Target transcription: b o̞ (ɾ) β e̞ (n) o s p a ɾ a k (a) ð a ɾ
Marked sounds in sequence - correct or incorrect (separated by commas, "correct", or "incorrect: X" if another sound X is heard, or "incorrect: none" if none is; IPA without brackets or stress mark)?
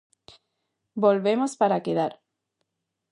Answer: incorrect: l, incorrect: m, incorrect: e